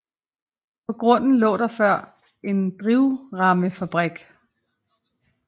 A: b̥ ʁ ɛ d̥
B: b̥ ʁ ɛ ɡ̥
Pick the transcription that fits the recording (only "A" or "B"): B